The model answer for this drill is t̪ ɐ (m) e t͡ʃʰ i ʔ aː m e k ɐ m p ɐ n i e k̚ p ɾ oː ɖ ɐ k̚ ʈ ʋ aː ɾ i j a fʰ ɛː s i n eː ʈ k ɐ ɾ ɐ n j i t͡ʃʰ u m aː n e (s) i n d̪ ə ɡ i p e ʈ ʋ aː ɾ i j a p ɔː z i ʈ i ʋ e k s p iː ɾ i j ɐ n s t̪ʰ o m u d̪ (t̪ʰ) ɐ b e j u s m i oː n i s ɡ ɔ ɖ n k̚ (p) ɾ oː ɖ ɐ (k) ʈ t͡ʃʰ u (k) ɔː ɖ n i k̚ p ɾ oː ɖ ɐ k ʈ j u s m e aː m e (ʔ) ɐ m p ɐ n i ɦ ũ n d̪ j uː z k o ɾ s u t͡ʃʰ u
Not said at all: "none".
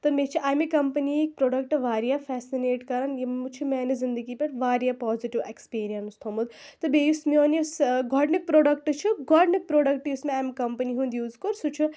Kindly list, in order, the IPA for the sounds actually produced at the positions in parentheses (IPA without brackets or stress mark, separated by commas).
m, z, t̪, p, k, ɡ, k